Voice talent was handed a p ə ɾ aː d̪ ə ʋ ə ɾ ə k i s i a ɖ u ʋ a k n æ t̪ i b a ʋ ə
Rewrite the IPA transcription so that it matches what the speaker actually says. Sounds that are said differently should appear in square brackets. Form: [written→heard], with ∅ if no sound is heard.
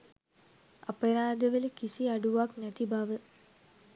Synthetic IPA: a p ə ɾ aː d̪ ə ʋ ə [ɾ→l] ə k i s i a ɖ u ʋ a k n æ t̪ i b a ʋ ə